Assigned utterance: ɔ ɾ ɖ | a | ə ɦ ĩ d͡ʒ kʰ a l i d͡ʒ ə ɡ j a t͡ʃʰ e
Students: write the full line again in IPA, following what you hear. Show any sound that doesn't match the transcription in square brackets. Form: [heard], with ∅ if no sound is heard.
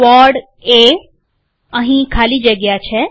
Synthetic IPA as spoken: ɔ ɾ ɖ | [e] | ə ɦ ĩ [∅] kʰ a l i d͡ʒ ə ɡ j a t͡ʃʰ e